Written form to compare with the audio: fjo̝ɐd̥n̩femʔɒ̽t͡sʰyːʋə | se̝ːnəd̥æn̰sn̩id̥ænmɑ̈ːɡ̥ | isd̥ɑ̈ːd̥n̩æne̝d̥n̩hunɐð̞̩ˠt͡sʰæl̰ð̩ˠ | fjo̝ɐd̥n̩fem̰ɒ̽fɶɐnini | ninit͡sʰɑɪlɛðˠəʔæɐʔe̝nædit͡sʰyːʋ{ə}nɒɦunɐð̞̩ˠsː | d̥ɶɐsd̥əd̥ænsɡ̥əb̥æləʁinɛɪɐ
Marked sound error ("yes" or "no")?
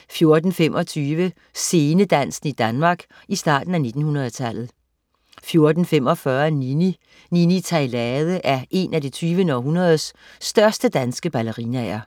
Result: no